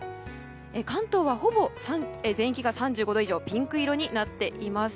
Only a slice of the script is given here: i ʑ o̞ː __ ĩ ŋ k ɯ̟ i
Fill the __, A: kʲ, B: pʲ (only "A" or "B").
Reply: B